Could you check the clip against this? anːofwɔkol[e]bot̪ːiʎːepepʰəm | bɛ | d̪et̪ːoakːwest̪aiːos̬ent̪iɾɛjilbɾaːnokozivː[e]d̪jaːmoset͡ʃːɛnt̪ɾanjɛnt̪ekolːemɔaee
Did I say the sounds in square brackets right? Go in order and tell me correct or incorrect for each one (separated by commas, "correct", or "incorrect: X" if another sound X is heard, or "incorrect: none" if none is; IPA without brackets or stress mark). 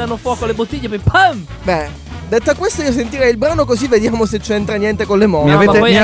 correct, correct